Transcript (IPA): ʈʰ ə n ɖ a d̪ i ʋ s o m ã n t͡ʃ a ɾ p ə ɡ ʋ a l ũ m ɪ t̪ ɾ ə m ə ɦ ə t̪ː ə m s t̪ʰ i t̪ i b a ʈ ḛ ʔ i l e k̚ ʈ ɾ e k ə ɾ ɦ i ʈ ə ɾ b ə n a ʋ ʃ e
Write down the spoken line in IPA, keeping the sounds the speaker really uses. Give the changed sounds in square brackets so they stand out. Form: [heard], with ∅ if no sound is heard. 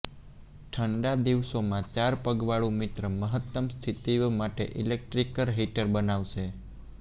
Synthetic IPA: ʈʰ ə [ɳ] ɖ a d̪ i ʋ s o m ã [∅] t͡ʃ a ɾ p ə ɡ ʋ a [ɭ] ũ m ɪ t̪ ɾ ə m ə ɦ ə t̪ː ə m s t̪ʰ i t̪ i [m] a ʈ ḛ ʔ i l e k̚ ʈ ɾ [i] k ə ɾ ɦ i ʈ ə ɾ b ə n a ʋ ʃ e

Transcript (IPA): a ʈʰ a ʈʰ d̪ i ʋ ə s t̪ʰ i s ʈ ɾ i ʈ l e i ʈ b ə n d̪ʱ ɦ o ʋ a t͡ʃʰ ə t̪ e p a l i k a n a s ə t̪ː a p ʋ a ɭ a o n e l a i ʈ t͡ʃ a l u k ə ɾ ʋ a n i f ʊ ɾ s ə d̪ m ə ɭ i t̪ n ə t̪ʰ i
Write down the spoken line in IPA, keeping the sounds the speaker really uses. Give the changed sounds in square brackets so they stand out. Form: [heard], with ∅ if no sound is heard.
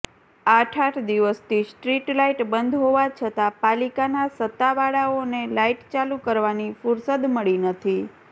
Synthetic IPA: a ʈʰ a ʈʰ d̪ i ʋ ə s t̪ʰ i s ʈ ɾ i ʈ l [a] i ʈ b ə n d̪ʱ ɦ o ʋ a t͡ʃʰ ə t̪ [a] p a l i k a n a s ə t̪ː a [∅] ʋ a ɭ a o n e l a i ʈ t͡ʃ a l u k ə ɾ ʋ a n i f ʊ ɾ s ə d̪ m ə ɭ i [∅] n ə t̪ʰ i

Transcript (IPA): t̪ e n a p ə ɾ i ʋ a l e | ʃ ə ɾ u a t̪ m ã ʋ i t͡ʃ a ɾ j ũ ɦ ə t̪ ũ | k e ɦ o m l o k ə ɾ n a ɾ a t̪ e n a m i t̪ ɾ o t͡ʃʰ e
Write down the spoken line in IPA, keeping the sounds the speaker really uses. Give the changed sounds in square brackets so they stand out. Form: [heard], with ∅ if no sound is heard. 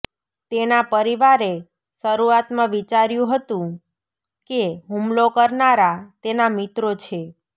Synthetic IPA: t̪ e n a p ə ɾ i ʋ a [ɾ] e | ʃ ə ɾ u a t̪ m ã ʋ i t͡ʃ a ɾ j ũ ɦ ə t̪ ũ | k e ɦ [u] m l o k ə ɾ n a ɾ a t̪ e n a m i t̪ ɾ o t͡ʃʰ e

